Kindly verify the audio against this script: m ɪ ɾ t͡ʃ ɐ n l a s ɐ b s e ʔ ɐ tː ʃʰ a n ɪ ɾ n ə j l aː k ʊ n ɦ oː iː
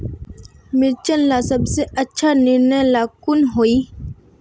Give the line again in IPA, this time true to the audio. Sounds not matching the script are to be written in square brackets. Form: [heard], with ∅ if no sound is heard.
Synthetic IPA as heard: m ɪ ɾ t͡ʃ [ə] n l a s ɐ b s e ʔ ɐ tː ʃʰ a n ɪ ɾ n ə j l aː k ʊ n ɦ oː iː